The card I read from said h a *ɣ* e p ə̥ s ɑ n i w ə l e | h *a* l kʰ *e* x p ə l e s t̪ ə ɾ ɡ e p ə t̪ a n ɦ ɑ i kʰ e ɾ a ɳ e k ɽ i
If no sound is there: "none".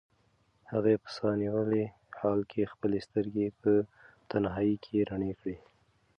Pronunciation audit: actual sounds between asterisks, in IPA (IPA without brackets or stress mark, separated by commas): ɣ, ɑ, e